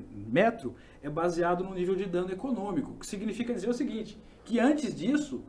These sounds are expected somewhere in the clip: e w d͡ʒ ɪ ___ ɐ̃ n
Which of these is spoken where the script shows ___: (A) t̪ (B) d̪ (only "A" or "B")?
B